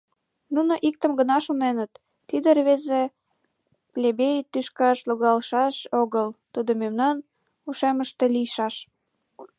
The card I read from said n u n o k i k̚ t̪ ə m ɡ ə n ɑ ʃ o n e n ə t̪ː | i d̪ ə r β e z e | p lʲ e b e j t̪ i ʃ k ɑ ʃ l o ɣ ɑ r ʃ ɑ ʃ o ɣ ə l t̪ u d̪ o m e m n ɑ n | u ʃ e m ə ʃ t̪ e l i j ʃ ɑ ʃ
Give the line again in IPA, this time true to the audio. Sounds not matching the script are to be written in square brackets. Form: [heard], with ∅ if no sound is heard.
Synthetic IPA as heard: n u n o [ʔ] i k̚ t̪ ə m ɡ ə n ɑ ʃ o n e n ə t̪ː | i d̪ ə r β e z e | p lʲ e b e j t̪ [y] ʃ k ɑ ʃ l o ɣ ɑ [l] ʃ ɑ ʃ o ɣ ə l t̪ u d̪ o m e m n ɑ n | u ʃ e m ə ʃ t̪ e l i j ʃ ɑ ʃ